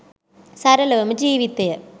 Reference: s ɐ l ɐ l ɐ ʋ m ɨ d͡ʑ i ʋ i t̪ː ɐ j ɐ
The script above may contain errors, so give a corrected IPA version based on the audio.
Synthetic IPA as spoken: s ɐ ɾ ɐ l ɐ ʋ m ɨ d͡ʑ iː ʋ i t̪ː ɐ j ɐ